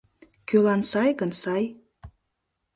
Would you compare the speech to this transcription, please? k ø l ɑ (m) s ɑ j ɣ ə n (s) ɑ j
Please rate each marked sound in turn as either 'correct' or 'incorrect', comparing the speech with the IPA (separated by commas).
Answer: incorrect, correct